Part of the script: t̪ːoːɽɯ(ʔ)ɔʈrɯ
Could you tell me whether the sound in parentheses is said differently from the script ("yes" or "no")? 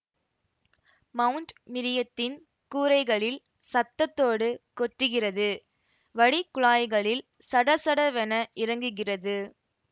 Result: yes